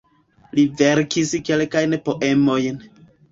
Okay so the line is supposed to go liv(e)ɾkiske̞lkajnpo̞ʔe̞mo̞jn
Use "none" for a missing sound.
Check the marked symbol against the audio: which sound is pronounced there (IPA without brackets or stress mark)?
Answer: e